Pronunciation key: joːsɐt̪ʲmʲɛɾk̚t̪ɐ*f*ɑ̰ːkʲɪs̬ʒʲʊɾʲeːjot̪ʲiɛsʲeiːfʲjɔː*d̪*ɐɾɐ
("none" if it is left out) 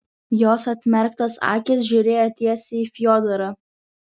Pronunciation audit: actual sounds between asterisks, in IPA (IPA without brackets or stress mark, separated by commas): s, d̪